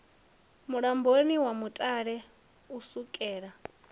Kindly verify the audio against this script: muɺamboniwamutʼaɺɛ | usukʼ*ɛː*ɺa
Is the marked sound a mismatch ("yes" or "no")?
no